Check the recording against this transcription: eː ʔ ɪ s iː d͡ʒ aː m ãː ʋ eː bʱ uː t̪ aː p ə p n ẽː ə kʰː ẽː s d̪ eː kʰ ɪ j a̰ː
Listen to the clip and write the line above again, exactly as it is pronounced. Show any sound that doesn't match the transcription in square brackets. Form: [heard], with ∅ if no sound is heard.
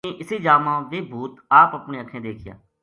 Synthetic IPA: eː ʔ ɪ s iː d͡ʒ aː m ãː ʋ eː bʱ uː t̪ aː p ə p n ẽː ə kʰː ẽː [∅] d̪ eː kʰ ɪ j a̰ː